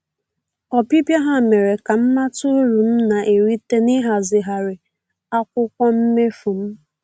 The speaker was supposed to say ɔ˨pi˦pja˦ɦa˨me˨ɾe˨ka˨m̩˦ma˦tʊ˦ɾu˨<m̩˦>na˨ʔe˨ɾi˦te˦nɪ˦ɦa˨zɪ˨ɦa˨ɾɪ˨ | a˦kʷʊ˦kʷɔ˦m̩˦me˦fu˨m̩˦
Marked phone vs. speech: correct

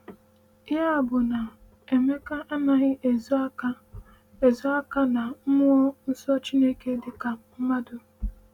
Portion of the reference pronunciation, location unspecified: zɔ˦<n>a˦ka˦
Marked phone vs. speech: incorrect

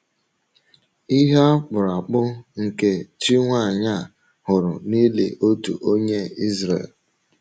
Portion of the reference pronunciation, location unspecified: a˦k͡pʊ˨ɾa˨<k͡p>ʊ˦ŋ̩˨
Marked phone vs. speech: correct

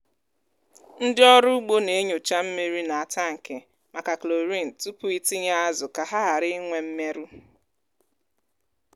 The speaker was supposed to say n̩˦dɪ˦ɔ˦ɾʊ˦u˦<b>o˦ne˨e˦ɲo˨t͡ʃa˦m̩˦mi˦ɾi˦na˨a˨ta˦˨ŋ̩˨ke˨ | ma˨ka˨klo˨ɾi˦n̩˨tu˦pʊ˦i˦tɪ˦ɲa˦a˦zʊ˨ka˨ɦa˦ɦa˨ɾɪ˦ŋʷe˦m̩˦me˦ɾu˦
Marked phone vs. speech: incorrect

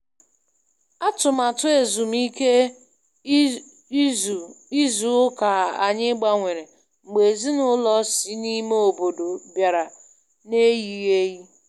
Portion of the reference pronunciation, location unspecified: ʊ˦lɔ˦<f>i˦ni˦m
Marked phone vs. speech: incorrect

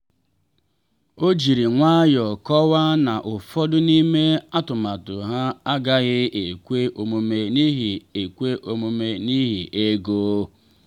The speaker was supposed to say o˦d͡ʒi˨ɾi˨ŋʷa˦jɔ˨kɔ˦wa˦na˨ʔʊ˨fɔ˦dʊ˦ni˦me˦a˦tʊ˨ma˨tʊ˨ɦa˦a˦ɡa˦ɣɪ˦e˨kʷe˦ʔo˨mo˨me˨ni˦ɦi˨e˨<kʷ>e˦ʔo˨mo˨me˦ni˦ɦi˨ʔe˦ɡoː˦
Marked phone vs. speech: correct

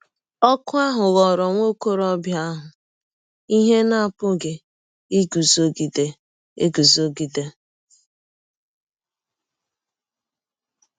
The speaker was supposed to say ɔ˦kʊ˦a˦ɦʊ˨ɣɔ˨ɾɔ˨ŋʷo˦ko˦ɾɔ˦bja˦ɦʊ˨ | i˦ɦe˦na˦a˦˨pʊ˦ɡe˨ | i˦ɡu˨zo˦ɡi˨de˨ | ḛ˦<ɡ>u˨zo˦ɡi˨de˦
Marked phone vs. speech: correct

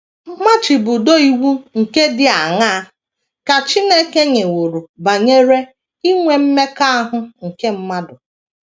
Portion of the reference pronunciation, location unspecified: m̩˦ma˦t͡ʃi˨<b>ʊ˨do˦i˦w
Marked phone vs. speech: correct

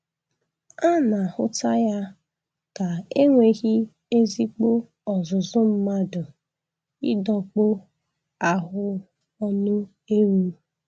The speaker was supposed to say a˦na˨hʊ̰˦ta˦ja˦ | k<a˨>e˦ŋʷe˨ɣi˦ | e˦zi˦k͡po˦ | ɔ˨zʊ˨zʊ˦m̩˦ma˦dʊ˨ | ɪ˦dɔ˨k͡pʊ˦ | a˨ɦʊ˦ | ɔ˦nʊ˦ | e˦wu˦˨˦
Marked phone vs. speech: correct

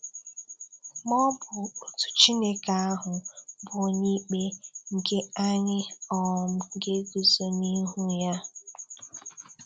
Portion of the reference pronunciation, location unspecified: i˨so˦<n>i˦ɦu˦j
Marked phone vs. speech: correct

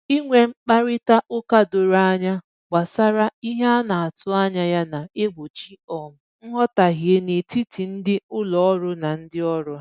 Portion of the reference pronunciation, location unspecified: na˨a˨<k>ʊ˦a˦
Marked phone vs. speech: incorrect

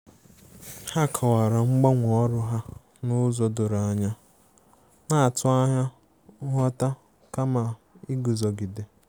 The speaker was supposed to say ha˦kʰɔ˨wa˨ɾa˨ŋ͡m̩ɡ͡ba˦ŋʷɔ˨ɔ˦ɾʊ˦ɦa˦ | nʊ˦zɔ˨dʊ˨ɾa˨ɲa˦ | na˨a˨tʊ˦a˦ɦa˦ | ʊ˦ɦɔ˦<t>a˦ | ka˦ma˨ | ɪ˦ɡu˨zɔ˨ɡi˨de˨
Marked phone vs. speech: correct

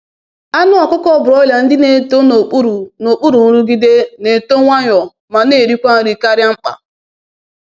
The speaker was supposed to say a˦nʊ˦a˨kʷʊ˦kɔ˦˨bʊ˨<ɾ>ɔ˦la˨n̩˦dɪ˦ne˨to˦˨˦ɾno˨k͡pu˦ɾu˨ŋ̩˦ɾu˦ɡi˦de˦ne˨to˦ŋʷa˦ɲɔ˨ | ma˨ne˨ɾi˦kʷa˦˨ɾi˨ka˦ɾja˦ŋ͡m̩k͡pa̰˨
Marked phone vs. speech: correct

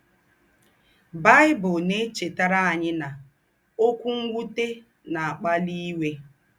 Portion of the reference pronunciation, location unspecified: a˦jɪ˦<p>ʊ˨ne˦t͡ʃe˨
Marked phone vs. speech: incorrect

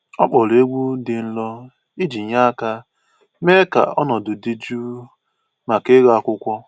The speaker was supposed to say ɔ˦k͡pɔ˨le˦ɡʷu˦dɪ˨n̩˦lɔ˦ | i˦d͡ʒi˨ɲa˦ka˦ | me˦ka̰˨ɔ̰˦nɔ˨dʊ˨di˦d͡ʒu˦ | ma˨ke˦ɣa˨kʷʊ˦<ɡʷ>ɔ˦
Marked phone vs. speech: incorrect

